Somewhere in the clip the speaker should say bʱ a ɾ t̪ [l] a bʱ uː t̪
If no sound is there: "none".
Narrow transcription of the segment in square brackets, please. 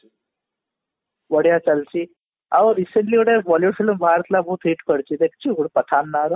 l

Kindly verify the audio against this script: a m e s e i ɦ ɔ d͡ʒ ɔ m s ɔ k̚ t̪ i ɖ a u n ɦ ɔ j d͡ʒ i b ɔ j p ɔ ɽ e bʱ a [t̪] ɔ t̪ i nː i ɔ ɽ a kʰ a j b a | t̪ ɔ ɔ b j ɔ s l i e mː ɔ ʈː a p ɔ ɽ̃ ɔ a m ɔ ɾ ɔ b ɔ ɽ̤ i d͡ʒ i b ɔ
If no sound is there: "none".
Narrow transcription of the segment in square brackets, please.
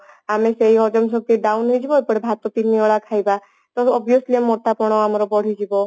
t̪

